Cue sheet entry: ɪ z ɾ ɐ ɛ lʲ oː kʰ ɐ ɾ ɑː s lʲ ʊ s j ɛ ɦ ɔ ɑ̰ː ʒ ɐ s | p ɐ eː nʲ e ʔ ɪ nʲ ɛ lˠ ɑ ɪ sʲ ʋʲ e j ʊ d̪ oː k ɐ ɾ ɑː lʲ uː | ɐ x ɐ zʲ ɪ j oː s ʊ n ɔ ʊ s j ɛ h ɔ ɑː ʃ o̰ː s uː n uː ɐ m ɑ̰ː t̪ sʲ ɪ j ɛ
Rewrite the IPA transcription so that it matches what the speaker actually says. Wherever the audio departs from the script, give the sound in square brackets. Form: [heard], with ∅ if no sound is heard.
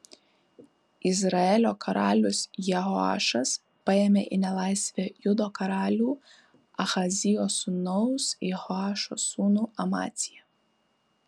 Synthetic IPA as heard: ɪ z ɾ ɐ ɛ lʲ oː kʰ ɐ ɾ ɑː [∅] lʲ ʊ s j ɛ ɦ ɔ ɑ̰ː [ʃ] ɐ s | p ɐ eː [mʲ] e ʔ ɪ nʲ ɛ lˠ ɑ ɪ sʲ ʋʲ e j ʊ d̪ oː k ɐ ɾ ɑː lʲ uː | ɐ x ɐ zʲ ɪ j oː s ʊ n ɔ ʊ s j ɛ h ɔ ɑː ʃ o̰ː s uː n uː ɐ m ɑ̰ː t̪ sʲ ɪ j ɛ